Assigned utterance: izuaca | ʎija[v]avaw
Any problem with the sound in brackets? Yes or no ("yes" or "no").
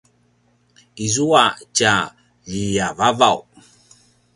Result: no